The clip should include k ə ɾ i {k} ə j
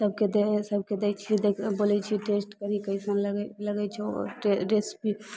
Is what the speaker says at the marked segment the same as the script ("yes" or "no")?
yes